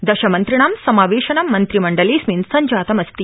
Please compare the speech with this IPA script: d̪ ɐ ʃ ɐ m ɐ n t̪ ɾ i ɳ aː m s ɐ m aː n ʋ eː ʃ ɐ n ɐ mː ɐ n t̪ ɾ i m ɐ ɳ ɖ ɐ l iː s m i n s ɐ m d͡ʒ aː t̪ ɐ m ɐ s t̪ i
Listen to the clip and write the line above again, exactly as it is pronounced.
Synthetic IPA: d̪ ɐ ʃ ɐ m ɐ n t̪ ɾ i ɳ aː m s ɐ m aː ʋ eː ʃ ɐ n ɐ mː ɐ n t̪ ɾ i m ɐ ɳ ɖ ɐ l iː s m i n s ɐ ɲ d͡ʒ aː t̪ ɐ m ɐ s t̪ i